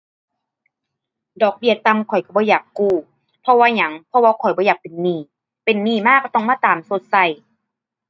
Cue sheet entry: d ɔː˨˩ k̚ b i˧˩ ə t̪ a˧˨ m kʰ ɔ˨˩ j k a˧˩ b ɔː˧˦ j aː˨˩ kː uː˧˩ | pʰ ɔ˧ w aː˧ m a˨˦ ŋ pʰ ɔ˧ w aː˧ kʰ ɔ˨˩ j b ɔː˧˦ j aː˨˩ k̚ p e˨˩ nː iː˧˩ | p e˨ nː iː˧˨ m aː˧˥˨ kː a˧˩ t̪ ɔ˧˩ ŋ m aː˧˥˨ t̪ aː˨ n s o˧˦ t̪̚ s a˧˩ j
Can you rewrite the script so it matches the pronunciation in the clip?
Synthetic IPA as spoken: d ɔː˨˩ k̚ b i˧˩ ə t̪ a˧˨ m kʰ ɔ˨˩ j k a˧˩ b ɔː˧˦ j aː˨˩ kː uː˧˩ | pʰ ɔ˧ w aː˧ ɲ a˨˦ ŋ pʰ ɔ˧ w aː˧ kʰ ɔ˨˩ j b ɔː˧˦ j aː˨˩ k̚ p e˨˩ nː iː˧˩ | p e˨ nː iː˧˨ m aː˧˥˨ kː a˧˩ t̪ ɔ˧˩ ŋ m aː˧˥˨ t̪ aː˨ m s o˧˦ t̪̚ s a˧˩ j